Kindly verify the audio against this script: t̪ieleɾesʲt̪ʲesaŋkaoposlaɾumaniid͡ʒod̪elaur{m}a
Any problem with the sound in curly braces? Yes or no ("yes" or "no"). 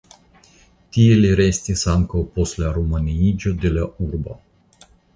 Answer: yes